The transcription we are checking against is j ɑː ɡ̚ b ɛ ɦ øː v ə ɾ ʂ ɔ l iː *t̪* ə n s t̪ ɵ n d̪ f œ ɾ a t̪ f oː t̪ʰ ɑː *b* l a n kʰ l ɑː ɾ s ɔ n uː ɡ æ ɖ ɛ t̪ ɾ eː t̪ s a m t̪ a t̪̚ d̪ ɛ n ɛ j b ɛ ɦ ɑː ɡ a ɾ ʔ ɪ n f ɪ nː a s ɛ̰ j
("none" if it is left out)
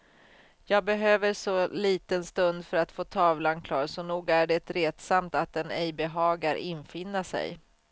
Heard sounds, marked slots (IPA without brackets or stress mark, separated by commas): t̪, v